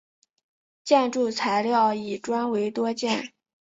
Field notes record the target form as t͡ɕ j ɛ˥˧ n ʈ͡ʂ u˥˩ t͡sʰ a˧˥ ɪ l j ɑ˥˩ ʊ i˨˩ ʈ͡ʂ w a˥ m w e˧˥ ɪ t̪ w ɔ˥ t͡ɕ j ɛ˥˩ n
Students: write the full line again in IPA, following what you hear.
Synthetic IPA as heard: t͡ɕ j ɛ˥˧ n ʈ͡ʂ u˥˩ t͡sʰ a˧˥ ɪ l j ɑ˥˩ ʊ i˨˩ ʈ͡ʂ w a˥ n w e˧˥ ɪ t̪ w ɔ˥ t͡ɕ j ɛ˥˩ n